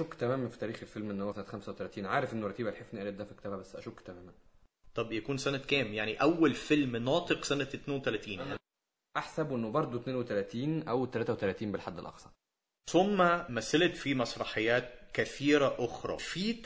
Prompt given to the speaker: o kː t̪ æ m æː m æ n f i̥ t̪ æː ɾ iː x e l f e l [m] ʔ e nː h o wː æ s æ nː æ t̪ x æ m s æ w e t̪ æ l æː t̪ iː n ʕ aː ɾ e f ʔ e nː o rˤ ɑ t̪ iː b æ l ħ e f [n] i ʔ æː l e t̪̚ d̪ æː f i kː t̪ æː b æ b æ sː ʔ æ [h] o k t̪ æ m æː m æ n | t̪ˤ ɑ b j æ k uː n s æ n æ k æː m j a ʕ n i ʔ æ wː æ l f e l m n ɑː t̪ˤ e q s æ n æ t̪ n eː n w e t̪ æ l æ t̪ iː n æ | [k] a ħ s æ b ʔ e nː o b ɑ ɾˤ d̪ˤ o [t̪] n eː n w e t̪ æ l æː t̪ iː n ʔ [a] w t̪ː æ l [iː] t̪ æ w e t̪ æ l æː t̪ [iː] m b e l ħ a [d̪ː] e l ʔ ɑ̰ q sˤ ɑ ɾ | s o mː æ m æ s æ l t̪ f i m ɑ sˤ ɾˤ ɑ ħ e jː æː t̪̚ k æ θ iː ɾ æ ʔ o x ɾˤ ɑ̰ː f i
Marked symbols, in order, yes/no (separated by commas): yes, yes, no, no, yes, no, no, yes, yes